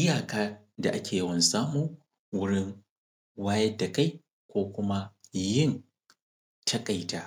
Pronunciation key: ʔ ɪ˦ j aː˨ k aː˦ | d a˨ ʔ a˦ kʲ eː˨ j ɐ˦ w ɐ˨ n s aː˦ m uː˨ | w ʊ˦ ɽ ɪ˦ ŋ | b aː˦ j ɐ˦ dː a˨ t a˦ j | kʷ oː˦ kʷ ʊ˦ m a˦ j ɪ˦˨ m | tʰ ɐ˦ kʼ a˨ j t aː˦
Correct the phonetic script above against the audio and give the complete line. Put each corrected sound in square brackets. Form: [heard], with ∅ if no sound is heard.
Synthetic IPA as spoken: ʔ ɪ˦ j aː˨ k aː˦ | d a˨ ʔ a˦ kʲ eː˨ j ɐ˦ w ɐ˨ n s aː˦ m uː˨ | w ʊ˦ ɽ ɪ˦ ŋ | [w] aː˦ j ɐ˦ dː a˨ [k] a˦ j | kʷ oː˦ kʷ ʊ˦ m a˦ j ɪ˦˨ [n] | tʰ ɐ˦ kʼ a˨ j t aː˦